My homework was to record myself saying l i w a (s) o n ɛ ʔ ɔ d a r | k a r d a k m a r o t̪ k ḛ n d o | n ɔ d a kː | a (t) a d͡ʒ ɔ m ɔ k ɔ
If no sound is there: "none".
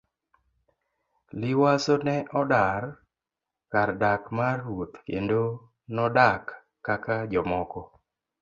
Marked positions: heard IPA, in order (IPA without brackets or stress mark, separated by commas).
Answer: s, k